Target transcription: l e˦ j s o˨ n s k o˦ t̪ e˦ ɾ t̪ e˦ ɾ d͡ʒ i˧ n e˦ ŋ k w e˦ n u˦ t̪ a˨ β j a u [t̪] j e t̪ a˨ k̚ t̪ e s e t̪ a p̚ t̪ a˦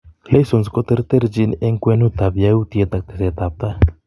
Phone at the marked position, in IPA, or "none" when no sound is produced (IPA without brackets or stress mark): t̪